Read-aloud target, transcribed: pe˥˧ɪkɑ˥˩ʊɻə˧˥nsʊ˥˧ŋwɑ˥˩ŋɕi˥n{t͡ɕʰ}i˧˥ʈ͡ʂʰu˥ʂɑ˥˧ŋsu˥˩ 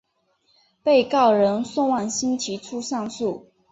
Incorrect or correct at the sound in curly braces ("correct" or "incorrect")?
correct